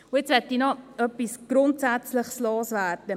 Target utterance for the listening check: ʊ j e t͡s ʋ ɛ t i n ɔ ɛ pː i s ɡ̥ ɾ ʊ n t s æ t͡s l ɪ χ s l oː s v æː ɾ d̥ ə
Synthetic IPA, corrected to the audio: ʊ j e t͡s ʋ ɛ t i n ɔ œ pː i s ɡ̥ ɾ ʊ n t s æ t͡s l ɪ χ s l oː s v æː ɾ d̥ ə